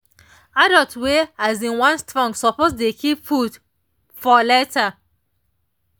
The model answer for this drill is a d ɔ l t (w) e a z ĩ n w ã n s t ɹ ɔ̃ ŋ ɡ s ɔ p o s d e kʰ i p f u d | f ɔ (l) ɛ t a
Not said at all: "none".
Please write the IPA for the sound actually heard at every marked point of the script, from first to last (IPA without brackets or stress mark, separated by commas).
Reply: w, l